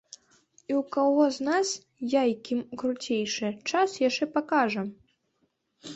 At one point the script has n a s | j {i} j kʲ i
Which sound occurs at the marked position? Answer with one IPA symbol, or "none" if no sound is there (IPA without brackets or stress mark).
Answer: a